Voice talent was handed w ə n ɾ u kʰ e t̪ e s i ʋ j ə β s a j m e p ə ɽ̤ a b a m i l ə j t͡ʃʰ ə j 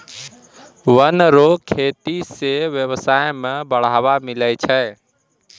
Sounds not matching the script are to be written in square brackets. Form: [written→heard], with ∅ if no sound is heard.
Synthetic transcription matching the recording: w ə n ɾ [u→o] kʰ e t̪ [e→i] s [i→e] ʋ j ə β s a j m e [p→b] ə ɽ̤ a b a m i l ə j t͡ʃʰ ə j